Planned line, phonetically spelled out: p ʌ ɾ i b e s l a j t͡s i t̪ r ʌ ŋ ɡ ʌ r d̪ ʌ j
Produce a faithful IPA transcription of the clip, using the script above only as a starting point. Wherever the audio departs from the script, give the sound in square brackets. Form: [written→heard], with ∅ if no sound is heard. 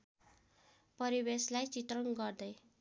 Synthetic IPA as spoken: p ʌ ɾ i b e s l a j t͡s i t̪ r ʌ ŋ ɡ ʌ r d̪ ʌ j